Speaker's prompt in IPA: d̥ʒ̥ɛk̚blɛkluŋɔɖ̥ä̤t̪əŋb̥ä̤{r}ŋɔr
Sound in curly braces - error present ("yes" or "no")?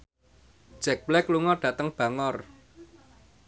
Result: yes